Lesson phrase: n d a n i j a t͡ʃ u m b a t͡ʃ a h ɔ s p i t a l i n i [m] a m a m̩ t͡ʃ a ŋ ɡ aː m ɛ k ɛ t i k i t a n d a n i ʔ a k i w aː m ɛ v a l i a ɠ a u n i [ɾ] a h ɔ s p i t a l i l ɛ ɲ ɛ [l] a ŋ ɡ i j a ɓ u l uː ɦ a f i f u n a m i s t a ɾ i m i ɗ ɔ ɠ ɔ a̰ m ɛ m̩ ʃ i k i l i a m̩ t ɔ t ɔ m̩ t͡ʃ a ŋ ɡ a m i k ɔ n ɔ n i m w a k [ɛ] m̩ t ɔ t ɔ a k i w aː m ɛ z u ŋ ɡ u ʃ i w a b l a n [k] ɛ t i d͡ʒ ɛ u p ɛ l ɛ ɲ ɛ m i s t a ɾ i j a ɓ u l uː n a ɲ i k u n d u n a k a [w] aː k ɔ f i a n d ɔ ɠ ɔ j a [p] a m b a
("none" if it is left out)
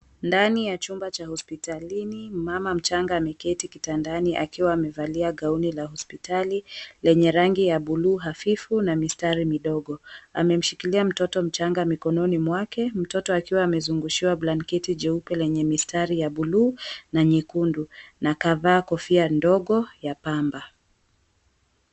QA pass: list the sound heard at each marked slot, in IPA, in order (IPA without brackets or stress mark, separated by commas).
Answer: m, l, ɾ, ɛ, k, v, p